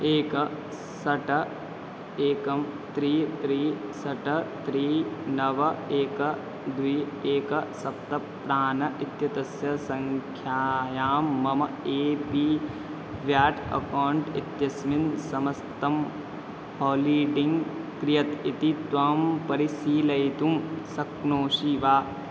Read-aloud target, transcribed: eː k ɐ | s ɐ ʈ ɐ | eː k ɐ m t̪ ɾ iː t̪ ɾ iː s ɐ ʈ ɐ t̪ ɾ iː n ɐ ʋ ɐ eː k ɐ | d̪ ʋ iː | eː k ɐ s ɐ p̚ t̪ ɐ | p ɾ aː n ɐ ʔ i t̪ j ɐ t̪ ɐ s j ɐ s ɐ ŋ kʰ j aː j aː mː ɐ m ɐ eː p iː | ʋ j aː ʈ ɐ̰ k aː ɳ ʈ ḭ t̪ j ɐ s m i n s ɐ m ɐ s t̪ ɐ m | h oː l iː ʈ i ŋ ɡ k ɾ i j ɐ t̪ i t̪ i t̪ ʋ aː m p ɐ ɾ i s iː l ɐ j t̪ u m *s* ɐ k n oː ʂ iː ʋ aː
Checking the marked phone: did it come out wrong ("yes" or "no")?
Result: no